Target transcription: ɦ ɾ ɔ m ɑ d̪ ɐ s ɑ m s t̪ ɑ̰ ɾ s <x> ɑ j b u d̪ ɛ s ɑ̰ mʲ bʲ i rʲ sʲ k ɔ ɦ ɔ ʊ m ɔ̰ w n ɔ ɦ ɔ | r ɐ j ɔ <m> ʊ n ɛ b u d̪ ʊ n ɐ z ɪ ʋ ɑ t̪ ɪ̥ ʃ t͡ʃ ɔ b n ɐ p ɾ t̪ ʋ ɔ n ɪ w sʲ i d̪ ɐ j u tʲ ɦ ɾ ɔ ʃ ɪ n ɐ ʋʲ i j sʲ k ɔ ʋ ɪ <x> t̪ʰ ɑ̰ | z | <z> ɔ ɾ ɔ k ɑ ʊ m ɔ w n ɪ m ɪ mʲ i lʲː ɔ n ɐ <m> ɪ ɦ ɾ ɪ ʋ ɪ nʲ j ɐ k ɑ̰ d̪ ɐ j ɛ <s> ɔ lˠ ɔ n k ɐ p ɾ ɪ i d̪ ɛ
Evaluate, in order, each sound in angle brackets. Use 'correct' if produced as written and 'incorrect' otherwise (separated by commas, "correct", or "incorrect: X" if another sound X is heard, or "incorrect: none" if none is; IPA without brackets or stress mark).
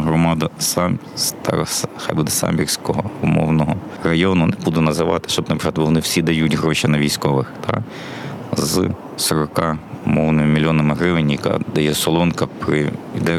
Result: correct, incorrect: n, correct, incorrect: s, correct, correct